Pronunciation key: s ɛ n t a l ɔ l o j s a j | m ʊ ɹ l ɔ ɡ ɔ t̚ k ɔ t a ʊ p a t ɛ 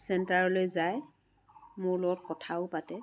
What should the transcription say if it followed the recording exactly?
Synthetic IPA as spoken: s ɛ n t a ɹ ɔ l o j z a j | m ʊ ɹ l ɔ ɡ ɔ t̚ k ɔ tʰ a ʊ p a t ɛ